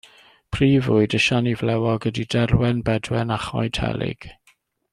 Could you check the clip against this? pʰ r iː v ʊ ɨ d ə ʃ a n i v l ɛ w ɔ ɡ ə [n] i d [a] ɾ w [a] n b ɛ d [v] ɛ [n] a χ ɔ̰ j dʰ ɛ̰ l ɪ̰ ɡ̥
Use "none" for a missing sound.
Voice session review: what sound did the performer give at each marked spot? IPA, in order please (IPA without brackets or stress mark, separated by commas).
d, ɛ, ɛ, w, n